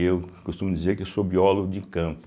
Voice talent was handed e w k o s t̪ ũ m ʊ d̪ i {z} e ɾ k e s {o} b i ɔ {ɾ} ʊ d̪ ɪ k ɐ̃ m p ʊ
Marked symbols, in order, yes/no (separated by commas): yes, yes, no